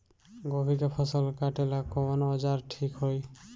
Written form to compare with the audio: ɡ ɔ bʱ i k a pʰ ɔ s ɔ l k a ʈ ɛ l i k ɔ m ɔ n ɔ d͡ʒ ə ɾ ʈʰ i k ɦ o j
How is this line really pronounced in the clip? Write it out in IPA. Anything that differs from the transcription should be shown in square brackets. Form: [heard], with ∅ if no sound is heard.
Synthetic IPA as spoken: ɡ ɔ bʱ i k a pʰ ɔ s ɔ l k a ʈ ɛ l [a] k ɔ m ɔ n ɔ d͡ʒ [a] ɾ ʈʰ i k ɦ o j